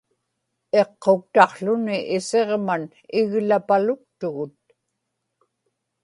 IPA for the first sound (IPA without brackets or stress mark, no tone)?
e̞